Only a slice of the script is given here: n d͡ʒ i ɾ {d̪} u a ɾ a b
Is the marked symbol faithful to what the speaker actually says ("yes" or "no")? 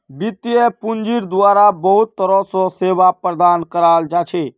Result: yes